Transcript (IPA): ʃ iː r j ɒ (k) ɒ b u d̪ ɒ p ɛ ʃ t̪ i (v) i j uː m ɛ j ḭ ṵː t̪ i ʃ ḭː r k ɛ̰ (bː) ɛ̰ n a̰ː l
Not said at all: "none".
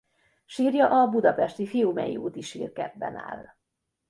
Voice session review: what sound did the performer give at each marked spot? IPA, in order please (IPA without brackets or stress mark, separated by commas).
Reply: ʔ, f, bː